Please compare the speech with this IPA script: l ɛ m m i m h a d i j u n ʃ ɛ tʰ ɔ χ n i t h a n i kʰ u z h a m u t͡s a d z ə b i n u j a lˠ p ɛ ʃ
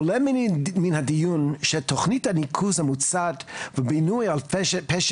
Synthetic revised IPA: l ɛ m m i n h a d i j u n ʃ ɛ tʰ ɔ χ n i t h a n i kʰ u z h a m u t͡s a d v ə b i n u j a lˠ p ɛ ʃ